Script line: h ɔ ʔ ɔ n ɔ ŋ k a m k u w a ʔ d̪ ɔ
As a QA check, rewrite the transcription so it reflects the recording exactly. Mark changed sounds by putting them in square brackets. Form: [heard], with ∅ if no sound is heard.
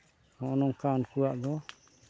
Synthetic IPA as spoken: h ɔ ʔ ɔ n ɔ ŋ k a [n] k u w a ʔ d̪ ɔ